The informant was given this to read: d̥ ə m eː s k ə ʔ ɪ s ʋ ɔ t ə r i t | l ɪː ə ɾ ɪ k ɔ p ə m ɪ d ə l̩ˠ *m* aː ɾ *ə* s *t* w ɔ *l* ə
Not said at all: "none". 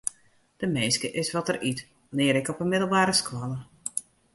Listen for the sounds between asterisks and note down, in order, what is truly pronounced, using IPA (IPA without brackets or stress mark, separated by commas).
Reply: b, ə, k, l